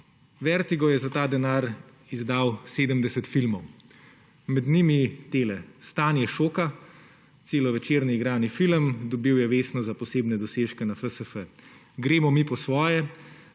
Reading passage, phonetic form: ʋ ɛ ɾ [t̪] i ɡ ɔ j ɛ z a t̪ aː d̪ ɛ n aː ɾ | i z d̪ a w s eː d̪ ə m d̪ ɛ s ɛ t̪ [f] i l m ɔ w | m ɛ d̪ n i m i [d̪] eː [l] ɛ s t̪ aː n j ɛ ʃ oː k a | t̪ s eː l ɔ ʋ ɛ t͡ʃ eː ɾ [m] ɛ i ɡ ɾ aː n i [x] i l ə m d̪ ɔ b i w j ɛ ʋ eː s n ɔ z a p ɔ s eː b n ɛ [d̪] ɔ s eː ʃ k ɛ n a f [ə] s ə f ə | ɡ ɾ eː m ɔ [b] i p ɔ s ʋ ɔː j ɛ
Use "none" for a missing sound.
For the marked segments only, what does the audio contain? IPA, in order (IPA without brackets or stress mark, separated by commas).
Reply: t̪, f, t̪, l, n, f, d̪, ə, m